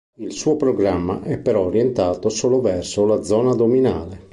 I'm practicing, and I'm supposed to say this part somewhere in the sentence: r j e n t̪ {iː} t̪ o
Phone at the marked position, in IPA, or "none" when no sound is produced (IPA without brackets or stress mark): aː